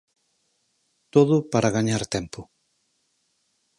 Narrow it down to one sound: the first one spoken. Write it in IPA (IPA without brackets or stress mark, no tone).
t̪